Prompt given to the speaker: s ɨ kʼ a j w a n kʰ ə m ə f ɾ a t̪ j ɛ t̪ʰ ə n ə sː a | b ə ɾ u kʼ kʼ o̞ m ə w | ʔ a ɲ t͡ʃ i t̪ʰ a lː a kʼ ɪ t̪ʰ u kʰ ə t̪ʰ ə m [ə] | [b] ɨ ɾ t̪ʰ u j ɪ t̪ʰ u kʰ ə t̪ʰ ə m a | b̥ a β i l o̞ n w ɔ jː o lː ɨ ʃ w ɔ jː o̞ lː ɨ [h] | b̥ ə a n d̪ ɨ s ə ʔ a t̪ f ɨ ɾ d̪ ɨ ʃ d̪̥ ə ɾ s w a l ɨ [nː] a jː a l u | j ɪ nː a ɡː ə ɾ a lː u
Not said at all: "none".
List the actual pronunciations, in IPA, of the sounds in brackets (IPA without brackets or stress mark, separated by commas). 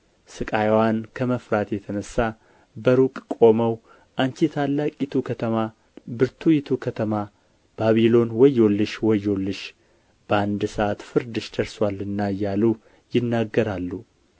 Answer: a, b, ʃ, nː